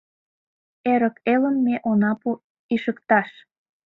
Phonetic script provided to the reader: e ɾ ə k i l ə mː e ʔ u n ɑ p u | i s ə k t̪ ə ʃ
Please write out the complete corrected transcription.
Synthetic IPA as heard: e ɾ ə k e l ə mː e ʔ o n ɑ p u | i ʃ ə k t̪ ɑ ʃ